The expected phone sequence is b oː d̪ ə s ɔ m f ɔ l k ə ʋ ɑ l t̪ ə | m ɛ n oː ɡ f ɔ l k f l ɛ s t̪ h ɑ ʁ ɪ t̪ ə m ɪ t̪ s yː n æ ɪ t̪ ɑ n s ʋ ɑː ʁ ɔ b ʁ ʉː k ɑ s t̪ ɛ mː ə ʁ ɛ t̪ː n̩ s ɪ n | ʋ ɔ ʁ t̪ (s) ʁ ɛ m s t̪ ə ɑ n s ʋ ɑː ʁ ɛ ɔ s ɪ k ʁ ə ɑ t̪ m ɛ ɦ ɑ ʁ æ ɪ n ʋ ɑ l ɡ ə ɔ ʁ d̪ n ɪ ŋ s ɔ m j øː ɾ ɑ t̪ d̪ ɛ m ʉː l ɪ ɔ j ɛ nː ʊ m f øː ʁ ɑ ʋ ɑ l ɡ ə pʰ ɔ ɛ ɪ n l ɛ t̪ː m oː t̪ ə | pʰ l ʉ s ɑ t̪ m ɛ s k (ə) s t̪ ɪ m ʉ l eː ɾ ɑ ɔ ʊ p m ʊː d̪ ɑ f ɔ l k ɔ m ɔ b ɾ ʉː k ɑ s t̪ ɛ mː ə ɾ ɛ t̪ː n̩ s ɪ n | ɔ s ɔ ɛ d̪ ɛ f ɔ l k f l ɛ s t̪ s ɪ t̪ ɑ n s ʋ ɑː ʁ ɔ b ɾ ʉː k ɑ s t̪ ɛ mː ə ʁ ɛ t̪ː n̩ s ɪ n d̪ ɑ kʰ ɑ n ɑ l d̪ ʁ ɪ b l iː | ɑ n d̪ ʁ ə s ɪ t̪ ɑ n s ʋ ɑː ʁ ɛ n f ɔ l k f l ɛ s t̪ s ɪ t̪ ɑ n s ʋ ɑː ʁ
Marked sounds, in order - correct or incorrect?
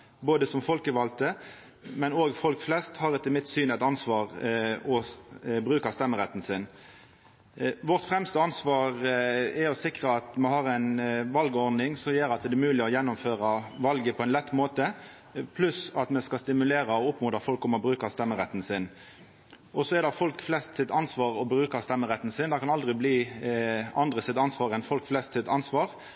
incorrect, incorrect

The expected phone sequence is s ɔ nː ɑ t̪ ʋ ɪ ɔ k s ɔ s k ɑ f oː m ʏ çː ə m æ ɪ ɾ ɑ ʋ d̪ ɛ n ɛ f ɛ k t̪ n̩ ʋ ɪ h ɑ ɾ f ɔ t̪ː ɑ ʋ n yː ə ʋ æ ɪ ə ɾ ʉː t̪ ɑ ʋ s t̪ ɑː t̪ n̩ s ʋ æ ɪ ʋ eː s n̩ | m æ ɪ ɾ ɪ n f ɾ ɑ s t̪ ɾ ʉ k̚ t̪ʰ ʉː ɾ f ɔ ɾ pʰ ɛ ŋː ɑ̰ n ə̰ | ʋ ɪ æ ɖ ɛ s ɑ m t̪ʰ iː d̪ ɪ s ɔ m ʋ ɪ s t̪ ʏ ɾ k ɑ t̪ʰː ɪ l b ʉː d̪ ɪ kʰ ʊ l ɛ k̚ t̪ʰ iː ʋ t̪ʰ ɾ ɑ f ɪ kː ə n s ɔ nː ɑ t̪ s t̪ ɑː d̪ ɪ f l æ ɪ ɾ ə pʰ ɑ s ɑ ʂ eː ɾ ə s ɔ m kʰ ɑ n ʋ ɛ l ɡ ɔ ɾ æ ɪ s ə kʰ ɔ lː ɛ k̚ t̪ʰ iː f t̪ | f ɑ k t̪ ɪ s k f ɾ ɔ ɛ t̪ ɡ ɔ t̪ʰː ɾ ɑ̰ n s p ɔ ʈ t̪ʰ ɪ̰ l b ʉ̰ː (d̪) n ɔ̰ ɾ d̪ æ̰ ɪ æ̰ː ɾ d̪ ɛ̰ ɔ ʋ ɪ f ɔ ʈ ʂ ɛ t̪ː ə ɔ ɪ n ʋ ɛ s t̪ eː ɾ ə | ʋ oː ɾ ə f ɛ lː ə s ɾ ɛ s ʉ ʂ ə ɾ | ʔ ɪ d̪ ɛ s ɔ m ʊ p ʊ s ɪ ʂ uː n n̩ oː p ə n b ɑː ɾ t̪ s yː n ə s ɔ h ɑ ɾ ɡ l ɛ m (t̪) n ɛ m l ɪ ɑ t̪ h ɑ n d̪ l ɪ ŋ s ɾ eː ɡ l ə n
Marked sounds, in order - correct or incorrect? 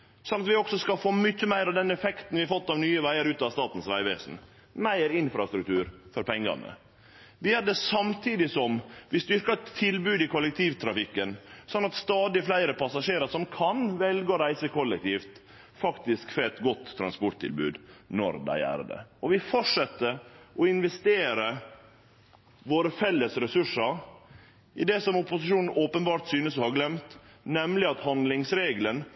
correct, correct

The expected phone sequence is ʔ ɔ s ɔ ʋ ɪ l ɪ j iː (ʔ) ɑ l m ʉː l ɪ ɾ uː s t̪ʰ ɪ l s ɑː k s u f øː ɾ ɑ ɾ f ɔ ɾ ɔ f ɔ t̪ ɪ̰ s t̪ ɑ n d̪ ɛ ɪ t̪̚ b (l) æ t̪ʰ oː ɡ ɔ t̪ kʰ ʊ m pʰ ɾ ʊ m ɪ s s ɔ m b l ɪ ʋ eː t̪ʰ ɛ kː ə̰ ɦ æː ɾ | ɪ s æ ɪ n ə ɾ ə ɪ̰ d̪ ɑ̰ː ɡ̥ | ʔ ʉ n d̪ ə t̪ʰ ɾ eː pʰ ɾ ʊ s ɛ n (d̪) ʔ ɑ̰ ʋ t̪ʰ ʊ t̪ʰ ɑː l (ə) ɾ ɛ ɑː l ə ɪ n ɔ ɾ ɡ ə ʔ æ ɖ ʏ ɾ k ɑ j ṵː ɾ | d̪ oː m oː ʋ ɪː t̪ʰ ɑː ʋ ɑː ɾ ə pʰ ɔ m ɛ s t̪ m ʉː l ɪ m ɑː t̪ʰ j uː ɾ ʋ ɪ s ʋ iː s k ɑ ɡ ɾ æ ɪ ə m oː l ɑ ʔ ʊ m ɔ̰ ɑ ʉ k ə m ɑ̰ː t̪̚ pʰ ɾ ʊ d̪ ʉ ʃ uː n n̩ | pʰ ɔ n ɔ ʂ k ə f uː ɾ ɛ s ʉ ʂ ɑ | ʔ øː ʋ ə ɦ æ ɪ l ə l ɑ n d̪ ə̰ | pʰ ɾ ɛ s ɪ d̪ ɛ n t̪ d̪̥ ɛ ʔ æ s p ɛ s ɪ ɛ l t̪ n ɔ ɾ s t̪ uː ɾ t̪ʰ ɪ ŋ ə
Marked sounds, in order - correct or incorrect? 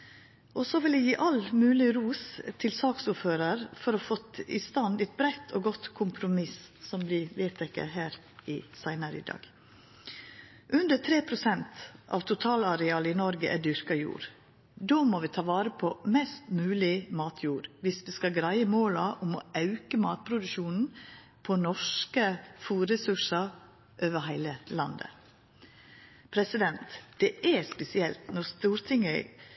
correct, incorrect, incorrect, incorrect

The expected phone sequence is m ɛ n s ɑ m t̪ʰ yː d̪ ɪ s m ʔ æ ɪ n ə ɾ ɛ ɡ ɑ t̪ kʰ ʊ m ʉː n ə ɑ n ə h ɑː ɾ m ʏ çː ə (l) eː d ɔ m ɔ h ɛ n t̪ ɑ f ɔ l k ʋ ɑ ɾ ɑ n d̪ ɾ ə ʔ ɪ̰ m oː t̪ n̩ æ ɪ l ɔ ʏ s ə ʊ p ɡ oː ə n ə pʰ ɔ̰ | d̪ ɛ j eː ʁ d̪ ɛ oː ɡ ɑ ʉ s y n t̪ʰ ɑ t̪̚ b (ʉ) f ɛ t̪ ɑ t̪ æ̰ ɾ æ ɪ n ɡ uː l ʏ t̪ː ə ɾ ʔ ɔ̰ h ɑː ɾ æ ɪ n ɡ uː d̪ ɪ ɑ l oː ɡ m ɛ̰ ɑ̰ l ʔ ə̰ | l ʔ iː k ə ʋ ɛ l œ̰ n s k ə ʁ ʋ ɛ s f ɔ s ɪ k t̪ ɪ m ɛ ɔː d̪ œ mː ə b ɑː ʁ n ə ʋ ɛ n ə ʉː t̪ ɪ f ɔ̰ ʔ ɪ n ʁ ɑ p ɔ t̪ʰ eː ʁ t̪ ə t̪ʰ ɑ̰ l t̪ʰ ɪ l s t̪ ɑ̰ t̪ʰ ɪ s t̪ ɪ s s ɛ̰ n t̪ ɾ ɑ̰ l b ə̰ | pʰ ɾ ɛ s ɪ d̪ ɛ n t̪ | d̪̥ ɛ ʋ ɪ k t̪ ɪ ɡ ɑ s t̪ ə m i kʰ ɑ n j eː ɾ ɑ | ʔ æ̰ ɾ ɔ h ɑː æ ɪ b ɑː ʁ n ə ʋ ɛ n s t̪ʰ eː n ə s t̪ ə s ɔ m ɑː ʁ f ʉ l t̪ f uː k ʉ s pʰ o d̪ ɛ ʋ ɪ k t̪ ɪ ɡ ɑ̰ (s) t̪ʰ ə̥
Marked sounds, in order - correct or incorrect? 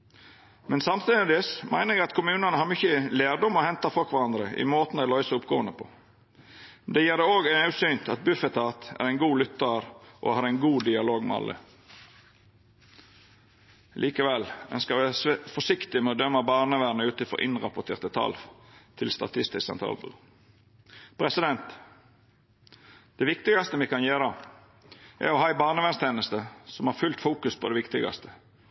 correct, correct, correct

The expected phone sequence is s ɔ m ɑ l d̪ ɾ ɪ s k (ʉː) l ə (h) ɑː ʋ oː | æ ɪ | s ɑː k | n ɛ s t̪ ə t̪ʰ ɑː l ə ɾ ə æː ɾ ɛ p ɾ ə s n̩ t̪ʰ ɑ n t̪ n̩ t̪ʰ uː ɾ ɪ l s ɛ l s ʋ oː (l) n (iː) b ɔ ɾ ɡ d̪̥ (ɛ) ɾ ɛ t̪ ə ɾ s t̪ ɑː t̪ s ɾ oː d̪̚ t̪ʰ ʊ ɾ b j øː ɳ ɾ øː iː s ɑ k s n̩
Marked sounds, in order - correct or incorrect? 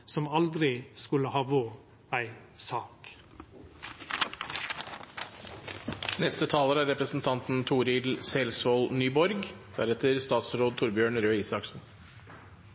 incorrect, correct, correct, incorrect, incorrect

